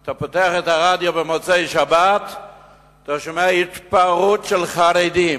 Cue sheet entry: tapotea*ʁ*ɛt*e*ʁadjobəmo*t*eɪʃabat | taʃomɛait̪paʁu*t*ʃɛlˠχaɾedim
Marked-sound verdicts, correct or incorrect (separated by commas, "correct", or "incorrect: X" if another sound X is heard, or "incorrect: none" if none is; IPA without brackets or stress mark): incorrect: χ, incorrect: a, incorrect: t͡s, correct